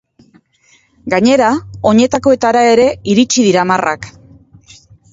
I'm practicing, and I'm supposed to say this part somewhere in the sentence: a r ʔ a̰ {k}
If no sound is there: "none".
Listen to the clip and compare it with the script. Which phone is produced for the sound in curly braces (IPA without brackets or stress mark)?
k